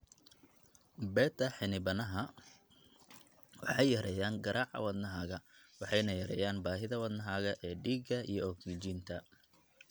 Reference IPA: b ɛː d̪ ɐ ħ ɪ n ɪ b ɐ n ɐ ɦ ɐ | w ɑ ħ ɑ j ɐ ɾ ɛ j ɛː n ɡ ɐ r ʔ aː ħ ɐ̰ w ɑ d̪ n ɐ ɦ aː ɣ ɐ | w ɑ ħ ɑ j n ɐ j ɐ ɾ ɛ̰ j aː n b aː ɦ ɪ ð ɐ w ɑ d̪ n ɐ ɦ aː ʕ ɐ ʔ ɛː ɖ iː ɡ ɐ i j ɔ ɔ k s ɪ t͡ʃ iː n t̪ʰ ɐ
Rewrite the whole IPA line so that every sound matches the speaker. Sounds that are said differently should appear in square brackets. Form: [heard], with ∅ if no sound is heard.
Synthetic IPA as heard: b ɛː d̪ ɐ ħ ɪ n ɪ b ɐ n ɐ ɦ ɐ | w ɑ ħ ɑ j ɐ ɾ ɛ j [aː] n ɡ ɐ [ɾ] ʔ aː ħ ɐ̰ w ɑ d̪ n ɐ ɦ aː ɣ ɐ | w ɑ ħ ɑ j n ɐ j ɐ ɾ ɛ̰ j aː n b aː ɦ ɪ ð ɐ w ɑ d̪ n ɐ ɦ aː [ɣ] ɐ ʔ ɛː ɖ iː ɡ ɐ i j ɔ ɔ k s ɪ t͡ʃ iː n t̪ʰ ɐ

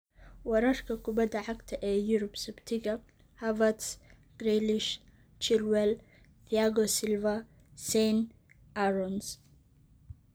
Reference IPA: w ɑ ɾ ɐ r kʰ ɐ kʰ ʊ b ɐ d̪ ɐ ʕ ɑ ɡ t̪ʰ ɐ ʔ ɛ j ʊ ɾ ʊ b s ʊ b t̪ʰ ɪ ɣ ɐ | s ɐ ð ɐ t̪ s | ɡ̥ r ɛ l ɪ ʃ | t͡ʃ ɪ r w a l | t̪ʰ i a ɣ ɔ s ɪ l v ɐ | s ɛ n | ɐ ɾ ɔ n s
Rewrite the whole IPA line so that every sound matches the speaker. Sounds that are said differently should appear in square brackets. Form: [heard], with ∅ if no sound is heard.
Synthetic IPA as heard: w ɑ ɾ ɐ r kʰ ɐ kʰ ʊ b ɐ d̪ ɐ ʕ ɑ ɡ t̪ʰ ɐ ʔ [ɛː] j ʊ ɾ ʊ b s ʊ b t̪ʰ ɪ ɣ ɐ | [h] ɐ [v] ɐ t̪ s | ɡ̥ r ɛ l ɪ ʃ | t͡ʃ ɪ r w [ɛ] l | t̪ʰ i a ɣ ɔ s ɪ l v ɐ | s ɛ n | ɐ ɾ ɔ n s

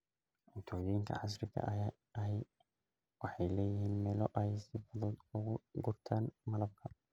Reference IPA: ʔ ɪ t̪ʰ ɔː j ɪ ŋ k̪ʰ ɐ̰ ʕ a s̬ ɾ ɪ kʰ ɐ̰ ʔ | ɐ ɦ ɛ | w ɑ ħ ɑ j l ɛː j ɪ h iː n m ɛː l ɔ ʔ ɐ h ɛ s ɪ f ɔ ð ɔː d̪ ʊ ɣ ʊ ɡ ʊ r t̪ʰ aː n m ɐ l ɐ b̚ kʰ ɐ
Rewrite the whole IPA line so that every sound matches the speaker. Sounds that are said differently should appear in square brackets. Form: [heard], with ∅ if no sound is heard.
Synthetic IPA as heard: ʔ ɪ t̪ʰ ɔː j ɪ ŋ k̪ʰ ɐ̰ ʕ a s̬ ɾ ɪ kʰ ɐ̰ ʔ | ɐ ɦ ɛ | w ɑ ħ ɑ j l ɛː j ɪ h iː n m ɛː l ɔ ʔ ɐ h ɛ s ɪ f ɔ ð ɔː d̪ ʊ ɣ ʊ ɡ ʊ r t̪ʰ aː n m ɐ l ɐ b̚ kʰ ɐ

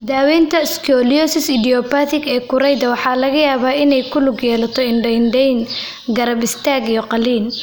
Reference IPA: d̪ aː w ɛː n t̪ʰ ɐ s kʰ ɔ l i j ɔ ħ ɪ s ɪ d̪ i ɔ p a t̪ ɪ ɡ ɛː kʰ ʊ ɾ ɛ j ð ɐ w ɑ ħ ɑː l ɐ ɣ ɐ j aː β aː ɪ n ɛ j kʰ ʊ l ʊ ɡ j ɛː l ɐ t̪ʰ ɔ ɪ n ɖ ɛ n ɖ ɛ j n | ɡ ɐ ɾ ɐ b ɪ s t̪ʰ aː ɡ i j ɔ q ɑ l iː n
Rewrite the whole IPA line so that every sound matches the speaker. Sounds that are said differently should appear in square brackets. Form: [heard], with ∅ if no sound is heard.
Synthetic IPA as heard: d̪ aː w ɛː n t̪ʰ ɐ s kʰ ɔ l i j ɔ [s] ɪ s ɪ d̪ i ɔ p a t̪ ɪ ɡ ɛː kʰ ʊ ɾ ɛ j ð ɐ w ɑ ħ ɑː l ɐ ɣ ɐ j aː β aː ɪ n ɛ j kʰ ʊ l ʊ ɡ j ɛː l ɐ t̪ʰ ɔ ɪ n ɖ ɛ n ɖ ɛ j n | ɡ ɐ ɾ ɐ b ɪ s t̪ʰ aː ɡ i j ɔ q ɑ l iː n

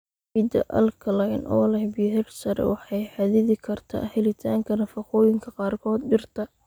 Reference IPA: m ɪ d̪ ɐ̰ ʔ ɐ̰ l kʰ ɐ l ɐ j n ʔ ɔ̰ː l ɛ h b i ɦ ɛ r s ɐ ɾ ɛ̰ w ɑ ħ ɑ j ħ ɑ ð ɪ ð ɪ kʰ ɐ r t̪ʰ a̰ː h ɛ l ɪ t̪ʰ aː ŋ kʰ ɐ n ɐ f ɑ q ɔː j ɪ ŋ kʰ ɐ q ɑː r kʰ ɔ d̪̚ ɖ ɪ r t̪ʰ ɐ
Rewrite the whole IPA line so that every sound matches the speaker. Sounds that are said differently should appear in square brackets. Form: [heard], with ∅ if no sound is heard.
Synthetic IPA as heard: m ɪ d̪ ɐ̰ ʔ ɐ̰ l kʰ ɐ l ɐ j n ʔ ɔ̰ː l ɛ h b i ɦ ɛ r s ɐ ɾ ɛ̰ w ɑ ħ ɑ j ħ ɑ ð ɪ ð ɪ kʰ ɐ r t̪ʰ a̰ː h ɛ l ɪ t̪ʰ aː ŋ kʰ ɐ n ɐ f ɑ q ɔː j ɪ ŋ kʰ ɐ q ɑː r kʰ [ɔː] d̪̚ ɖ ɪ r t̪ʰ ɐ

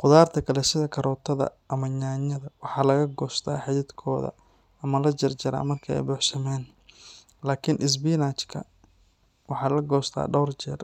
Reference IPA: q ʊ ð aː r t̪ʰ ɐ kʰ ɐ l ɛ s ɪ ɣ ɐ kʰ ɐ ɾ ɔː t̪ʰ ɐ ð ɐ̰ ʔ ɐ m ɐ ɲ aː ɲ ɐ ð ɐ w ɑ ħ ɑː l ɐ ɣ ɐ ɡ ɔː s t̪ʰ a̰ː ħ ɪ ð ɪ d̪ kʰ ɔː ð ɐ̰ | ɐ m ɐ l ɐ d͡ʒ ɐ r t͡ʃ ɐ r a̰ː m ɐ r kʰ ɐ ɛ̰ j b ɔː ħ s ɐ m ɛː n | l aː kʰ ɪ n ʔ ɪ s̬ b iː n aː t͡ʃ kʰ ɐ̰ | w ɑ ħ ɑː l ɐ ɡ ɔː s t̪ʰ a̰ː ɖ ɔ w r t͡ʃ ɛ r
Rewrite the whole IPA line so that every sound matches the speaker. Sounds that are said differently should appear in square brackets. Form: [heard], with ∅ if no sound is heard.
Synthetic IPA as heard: q ʊ ð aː r t̪ʰ ɐ kʰ ɐ l ɛ s ɪ [ð] ɐ kʰ ɐ ɾ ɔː t̪ʰ ɐ ð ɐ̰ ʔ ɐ m ɐ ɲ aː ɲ ɐ ð ɐ w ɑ ħ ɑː l ɐ ɣ ɐ ɡ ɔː s t̪ʰ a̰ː ħ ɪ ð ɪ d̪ kʰ ɔː ð ɐ̰ | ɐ m ɐ l ɐ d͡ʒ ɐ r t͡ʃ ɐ [ɾ] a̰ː m ɐ r kʰ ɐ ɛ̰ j b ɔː ħ s ɐ m ɛː n | l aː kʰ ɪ n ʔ ɪ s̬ b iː n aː t͡ʃ kʰ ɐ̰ | w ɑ ħ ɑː l ɐ ɡ ɔː s t̪ʰ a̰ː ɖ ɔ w r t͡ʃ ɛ r

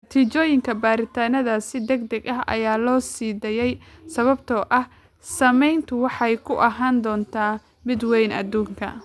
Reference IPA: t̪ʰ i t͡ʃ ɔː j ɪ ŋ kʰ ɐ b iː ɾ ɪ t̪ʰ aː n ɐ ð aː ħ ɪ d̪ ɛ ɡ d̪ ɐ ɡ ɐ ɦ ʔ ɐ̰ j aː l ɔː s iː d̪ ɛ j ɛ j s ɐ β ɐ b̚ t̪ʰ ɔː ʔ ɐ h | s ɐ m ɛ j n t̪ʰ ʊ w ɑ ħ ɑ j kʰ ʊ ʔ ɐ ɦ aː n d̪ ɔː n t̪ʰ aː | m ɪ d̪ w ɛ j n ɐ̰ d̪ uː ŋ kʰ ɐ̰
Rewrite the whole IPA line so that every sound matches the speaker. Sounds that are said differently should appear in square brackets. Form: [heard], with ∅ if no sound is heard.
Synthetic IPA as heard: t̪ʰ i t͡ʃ ɔː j ɪ ŋ kʰ ɐ b [aː] ɾ ɪ t̪ʰ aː n ɐ ð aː [s] ɪ d̪ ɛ ɡ d̪ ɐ ɡ ɐ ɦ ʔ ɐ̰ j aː l ɔː s iː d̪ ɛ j ɛ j s ɐ β ɐ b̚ t̪ʰ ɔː ʔ ɐ h | s ɐ m ɛ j n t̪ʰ ʊ w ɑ ħ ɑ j kʰ ʊ ʔ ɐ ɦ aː n d̪ ɔː n t̪ʰ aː | m ɪ d̪ w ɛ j n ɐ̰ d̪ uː ŋ kʰ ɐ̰

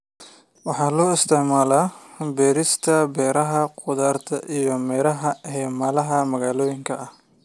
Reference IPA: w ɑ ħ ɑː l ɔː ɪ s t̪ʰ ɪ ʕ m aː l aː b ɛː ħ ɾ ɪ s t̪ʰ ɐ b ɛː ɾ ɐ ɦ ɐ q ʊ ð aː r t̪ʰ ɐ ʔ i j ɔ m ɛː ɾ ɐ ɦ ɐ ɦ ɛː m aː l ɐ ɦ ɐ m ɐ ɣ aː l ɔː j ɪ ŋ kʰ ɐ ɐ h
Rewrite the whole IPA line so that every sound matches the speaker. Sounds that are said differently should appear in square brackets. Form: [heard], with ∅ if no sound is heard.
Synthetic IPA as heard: w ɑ ħ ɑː l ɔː ɪ s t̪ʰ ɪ ʕ m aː l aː b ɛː [∅] ɾ ɪ s t̪ʰ ɐ b ɛː ɾ ɐ ɦ ɐ q ʊ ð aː r t̪ʰ ɐ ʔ i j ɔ m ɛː ɾ ɐ ɦ ɐ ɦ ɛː m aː l ɐ ɦ ɐ m ɐ ɣ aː l ɔː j ɪ ŋ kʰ ɐ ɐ h

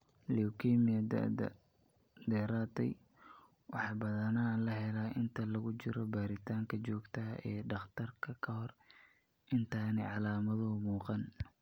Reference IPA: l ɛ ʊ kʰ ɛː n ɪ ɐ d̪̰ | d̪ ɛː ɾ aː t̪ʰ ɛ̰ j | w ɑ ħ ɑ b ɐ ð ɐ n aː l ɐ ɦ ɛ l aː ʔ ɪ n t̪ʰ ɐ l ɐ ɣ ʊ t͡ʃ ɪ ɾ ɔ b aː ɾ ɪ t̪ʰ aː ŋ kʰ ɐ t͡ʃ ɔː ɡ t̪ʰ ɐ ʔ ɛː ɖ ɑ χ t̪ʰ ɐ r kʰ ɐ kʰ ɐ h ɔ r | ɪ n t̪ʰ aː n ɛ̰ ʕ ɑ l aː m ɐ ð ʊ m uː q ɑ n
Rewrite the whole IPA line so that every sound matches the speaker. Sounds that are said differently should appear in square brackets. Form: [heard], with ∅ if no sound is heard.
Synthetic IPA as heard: l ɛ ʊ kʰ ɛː [m] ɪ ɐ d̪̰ | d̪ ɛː ɾ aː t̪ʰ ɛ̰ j | w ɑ ħ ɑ b ɐ ð ɐ n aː l ɐ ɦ ɛ l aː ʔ ɪ n t̪ʰ ɐ l ɐ ɣ ʊ t͡ʃ ɪ ɾ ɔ b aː ɾ ɪ t̪ʰ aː ŋ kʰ ɐ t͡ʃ ɔː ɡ t̪ʰ ɐ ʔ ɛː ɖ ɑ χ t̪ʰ ɐ r kʰ ɐ kʰ ɐ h ɔ r | ɪ n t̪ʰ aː n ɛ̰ ʕ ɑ l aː m ɐ ð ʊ m uː q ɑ n

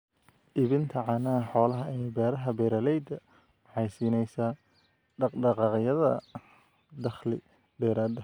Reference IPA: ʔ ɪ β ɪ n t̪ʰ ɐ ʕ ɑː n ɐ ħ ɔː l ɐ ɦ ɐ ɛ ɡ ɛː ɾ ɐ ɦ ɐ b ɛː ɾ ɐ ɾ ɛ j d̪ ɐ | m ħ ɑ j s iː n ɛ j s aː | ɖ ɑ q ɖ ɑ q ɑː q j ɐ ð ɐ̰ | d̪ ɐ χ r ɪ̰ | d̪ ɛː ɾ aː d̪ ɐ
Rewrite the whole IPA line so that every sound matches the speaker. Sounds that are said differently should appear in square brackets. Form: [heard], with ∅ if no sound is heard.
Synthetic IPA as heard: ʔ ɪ β ɪ n t̪ʰ ɐ ʕ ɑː n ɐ ħ ɔː l ɐ ɦ ɐ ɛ [b] ɛː ɾ ɐ ɦ ɐ b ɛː ɾ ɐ [l] ɛ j d̪ ɐ | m ħ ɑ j s iː n ɛ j s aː | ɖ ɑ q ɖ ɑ q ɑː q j ɐ ð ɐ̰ | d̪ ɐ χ [l] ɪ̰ | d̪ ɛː ɾ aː d̪ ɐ

